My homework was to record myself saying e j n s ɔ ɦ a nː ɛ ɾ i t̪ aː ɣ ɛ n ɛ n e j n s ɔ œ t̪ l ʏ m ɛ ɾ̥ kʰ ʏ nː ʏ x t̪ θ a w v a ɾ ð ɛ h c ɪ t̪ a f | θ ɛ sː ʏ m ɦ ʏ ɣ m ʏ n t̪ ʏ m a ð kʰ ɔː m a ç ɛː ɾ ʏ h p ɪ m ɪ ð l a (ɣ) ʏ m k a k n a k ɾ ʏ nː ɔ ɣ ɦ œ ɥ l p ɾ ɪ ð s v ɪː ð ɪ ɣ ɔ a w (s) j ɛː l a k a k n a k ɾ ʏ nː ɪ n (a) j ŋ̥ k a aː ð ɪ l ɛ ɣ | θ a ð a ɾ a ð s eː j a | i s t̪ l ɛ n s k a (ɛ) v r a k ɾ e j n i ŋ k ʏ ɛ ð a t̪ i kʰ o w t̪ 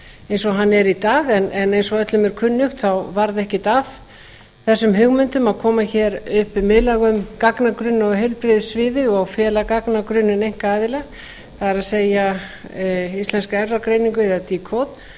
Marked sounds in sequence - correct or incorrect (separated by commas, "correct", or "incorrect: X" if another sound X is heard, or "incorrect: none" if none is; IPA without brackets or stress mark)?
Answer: correct, incorrect: f, incorrect: e, correct